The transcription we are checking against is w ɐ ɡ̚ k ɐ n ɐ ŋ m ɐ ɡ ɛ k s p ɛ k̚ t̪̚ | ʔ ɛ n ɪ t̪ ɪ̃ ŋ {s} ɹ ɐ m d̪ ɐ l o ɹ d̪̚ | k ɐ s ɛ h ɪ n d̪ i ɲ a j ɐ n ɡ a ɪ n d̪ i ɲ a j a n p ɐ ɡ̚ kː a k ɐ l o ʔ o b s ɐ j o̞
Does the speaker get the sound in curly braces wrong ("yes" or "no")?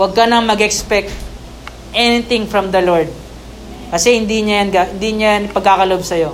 yes